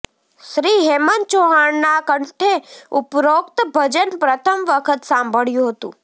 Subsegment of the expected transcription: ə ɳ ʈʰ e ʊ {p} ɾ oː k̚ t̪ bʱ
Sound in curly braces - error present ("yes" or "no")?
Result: no